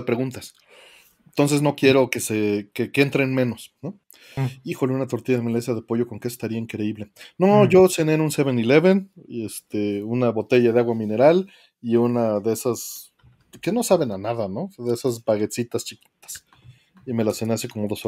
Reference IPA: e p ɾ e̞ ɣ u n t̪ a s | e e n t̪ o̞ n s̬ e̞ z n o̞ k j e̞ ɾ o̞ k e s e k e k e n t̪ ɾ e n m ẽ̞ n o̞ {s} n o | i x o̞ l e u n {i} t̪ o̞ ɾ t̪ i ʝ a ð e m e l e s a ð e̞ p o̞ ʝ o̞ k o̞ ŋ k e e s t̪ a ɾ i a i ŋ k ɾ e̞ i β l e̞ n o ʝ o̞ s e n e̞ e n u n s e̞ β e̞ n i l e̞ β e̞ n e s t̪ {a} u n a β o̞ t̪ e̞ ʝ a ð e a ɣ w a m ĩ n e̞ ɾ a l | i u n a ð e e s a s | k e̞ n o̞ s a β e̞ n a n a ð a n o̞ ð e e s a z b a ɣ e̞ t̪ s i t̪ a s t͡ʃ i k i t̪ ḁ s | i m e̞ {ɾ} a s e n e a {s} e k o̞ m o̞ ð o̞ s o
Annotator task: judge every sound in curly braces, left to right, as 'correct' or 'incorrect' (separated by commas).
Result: correct, incorrect, incorrect, incorrect, correct